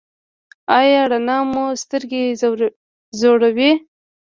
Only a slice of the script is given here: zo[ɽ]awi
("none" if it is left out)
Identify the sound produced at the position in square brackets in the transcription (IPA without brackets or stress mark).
ɽ